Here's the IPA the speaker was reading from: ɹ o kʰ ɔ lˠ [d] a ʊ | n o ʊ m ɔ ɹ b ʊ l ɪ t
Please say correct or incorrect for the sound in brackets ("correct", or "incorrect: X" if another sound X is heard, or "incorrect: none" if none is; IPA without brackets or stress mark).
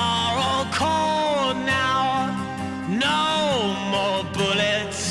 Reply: incorrect: n